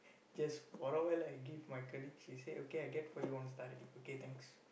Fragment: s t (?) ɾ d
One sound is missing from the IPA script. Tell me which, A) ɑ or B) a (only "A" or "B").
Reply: B